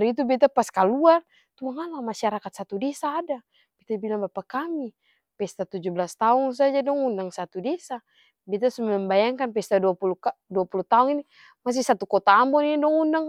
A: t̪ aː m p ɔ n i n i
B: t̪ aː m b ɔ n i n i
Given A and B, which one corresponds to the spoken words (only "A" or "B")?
B